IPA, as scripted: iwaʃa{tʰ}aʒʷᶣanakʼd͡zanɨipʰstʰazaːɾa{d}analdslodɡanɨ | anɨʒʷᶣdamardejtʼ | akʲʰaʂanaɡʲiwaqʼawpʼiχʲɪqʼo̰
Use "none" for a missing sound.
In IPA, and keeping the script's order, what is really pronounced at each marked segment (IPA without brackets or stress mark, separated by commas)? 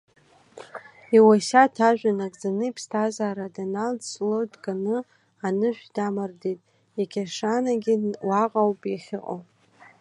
tʰ, d